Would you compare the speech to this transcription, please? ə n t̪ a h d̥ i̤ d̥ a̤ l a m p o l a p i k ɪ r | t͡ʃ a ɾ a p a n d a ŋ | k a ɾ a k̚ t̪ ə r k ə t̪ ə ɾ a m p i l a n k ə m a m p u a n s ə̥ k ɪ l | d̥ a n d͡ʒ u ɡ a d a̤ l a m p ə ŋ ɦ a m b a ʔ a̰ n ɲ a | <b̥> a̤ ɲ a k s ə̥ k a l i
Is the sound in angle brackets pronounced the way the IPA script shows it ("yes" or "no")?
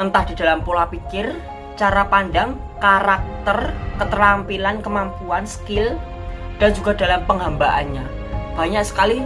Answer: yes